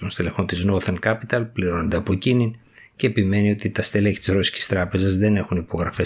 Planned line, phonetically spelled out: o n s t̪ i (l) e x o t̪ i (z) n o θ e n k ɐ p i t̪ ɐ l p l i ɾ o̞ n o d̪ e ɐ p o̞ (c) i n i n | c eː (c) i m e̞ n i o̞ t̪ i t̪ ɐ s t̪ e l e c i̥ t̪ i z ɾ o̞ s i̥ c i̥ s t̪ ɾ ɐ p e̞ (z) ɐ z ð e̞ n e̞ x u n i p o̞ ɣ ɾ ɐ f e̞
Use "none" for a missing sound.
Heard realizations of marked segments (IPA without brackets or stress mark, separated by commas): l, z, c, p, z